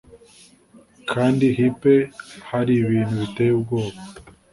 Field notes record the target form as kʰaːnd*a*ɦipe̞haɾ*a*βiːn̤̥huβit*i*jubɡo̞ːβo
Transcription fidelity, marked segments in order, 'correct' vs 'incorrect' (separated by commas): incorrect, incorrect, incorrect